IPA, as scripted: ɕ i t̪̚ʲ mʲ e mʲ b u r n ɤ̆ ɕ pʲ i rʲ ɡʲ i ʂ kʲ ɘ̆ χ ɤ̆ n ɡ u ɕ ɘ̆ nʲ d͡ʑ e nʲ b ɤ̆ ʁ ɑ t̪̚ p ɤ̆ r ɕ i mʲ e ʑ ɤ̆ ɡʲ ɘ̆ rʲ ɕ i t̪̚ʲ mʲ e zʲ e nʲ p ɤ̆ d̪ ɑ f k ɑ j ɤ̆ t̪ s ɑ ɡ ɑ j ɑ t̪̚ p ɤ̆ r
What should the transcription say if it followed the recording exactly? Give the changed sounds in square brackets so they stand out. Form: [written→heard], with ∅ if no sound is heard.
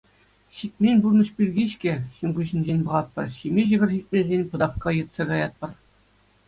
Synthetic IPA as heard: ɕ i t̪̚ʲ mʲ e [mʲ→nʲ] b u r n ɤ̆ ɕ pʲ i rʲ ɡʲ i [ʂ→ɕ] kʲ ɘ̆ [χ→ɕ] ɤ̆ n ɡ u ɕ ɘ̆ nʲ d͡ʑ e nʲ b ɤ̆ ʁ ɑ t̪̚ p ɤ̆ r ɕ i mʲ e ʑ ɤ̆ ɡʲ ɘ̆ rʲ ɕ i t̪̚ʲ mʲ e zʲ e nʲ p ɤ̆ d̪ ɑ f k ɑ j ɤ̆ t̪ s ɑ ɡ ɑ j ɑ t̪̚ p ɤ̆ r